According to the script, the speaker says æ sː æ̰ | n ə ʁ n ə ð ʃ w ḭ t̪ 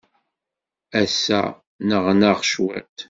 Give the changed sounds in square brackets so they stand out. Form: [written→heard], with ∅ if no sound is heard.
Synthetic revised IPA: æ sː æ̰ | n ə ʁ n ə [ð→ʁ] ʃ w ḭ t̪

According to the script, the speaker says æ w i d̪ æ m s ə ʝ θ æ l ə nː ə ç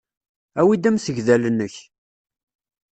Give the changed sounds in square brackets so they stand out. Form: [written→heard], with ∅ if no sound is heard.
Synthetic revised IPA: æ w i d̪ æ m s ə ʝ [θ→ð] æ l ə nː ə ç

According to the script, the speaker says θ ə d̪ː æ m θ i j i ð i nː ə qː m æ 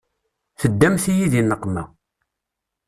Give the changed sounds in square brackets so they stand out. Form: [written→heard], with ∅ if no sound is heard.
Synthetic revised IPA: θ ə d̪ː æ m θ i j i ð i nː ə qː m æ

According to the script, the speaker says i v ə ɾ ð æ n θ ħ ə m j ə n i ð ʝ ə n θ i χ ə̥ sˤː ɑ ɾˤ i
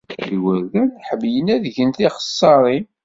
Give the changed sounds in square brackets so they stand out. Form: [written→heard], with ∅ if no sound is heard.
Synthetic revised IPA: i [v→w] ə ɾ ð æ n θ ħ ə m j ə n [i→æ] ð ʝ ə n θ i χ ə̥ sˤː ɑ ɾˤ i

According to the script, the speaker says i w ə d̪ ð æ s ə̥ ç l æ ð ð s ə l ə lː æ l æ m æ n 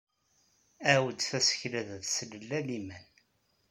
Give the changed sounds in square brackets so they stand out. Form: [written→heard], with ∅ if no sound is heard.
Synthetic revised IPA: [i→æ] w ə d̪ [ð→θ] æ s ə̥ ç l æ ð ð s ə l ə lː æ l [æ→i] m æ n

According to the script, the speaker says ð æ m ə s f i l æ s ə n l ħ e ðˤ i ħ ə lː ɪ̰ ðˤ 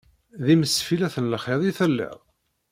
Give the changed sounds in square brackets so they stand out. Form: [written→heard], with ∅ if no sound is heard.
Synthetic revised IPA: ð [æ→i] m ə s f i l æ [s→θ] ə n l [ħ→χ] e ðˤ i [ħ→θ] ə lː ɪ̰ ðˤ

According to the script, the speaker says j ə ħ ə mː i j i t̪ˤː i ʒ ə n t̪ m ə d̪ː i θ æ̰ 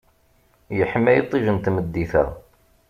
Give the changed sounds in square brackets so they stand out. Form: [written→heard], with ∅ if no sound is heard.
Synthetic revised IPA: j ə ħ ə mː [i→æ] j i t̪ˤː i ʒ ə n t̪ m ə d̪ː i θ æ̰

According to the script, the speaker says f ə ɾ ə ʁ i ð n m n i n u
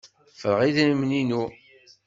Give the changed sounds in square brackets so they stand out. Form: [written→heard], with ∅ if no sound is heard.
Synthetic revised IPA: f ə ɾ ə ʁ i ð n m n i n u

